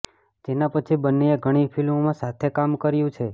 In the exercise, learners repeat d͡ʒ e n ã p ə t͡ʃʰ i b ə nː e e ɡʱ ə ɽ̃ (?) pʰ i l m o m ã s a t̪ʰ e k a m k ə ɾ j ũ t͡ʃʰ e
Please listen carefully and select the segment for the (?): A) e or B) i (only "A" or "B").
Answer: B